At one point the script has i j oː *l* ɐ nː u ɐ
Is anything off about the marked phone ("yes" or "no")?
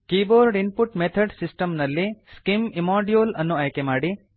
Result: no